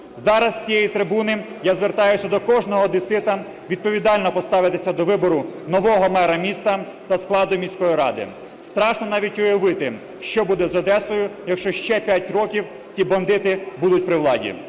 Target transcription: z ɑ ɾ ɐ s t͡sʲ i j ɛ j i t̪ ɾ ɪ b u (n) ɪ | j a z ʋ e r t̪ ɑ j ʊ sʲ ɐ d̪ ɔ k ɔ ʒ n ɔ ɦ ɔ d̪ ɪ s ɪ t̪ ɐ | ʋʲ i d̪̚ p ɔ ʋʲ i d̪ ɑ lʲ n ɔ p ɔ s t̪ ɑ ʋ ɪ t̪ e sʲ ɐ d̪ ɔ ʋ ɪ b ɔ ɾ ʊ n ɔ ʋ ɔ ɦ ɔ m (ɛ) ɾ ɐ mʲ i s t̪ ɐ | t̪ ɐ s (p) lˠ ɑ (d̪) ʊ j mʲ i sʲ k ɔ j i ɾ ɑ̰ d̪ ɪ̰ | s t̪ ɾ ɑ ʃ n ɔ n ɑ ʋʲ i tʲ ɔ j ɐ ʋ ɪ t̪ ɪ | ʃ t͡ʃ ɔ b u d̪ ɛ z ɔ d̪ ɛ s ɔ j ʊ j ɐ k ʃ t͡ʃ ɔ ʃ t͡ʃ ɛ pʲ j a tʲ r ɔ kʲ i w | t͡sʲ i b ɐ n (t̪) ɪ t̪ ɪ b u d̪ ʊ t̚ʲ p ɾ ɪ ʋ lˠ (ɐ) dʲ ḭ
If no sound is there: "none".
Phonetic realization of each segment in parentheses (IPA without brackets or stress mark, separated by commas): n, ɛ, k, d̪, d̪, ɑ